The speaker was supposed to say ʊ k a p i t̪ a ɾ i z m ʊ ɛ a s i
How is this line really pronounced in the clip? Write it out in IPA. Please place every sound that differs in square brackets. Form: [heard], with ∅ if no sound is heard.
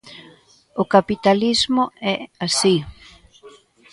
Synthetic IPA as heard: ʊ k a p i t̪ a [l] i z m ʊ ɛ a s i